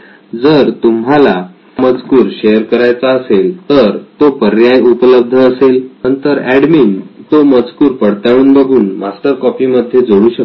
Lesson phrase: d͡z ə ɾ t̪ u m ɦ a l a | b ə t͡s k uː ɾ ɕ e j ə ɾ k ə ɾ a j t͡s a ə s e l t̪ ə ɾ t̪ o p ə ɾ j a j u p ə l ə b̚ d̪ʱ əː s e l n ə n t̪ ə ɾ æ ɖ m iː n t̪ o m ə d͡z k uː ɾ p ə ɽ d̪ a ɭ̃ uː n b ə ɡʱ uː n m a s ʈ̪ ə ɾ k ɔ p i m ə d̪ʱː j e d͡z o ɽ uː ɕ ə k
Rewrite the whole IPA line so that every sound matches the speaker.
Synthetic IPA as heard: d͡z ə ɾ t̪ u m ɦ a l a | m ə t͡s k uː ɾ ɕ e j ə ɾ k ə ɾ a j t͡s a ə s e l t̪ ə ɾ t̪ o p ə ɾ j a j u p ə l ə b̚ d̪ʱ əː s e l n ə n t̪ ə ɾ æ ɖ m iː n t̪ o m ə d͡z k uː ɾ p ə ɽ t̪ a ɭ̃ uː n b ə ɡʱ uː n m a s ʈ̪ ə ɾ k ɔ p i m ə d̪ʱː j e d͡z o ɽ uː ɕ ə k